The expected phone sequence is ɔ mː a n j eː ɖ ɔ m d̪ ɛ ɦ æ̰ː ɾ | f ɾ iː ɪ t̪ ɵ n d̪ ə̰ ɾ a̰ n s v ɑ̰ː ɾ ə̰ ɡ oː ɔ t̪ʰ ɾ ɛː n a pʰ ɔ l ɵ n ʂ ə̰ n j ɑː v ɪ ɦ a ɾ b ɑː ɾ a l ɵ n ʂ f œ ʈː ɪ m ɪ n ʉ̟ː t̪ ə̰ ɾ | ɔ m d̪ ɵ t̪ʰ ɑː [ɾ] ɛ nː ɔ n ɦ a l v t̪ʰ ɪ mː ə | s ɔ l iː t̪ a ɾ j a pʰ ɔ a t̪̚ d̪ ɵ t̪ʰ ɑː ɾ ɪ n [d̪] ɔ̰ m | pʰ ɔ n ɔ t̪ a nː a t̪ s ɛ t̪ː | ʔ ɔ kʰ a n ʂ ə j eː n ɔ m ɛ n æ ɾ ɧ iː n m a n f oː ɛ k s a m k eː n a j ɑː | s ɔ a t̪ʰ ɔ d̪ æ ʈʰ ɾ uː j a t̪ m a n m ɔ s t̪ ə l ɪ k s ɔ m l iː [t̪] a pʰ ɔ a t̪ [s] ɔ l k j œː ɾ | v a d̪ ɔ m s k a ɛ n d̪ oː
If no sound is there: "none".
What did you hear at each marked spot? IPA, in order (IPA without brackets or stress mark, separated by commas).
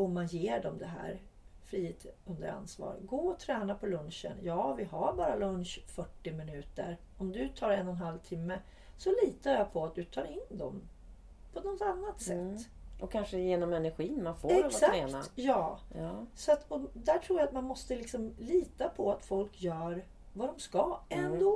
ɾ, d̪, t̪, f